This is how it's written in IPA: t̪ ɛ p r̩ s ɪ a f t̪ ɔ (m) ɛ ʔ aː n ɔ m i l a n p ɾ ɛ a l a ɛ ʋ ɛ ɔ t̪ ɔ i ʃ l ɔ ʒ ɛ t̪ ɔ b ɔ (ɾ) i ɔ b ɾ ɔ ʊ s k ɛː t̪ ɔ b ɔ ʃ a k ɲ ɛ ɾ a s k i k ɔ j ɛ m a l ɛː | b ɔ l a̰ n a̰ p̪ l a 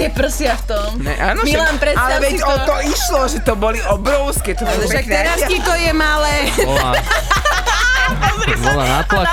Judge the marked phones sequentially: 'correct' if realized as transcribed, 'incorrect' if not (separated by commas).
correct, incorrect